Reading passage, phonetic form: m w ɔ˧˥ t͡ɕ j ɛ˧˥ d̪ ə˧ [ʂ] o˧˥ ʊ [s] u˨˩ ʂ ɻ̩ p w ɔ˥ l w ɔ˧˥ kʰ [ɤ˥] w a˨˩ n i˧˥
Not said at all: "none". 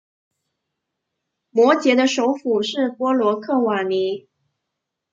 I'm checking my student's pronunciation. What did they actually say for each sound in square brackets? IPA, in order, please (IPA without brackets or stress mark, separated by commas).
ʂ, f, ɤ˥˩